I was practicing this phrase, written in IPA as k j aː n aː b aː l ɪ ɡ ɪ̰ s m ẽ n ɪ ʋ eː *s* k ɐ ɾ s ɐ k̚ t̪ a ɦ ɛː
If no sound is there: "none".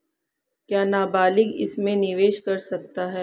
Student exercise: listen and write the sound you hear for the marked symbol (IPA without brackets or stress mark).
ʃ